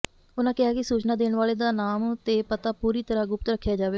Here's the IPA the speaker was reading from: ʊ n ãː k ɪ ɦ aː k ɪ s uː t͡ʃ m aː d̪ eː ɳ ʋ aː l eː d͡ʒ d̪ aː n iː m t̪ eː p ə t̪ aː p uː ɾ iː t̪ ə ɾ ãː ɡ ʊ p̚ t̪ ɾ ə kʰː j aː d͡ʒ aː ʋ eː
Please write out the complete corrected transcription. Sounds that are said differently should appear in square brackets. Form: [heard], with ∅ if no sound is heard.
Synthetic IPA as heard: ʊ n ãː k ɪ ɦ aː k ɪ s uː t͡ʃ [n] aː d̪ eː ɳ ʋ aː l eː [∅] d̪ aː n [aː] m t̪ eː p ə t̪ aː p uː ɾ iː t̪ ə ɾ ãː ɡ ʊ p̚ t̪ ɾ ə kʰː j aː d͡ʒ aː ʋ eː